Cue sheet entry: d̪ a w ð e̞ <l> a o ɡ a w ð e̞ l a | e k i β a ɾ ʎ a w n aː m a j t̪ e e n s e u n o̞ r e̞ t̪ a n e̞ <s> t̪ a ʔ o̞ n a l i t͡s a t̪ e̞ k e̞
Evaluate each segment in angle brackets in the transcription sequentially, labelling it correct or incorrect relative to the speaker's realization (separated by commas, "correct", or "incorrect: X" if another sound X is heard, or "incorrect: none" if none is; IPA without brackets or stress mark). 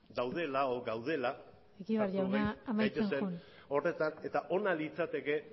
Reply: correct, incorrect: none